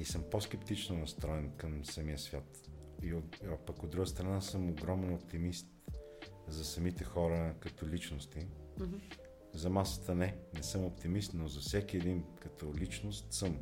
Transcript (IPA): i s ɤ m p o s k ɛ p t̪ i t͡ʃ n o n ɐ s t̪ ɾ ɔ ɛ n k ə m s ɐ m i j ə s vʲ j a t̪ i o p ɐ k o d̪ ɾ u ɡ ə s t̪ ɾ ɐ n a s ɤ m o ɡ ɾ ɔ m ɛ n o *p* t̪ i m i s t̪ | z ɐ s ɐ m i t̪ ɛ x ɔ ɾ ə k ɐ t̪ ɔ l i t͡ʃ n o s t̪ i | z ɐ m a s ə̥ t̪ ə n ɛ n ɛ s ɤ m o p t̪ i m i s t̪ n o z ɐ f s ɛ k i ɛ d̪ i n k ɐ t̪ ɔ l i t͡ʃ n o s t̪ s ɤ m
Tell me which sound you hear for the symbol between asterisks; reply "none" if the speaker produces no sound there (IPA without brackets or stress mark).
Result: p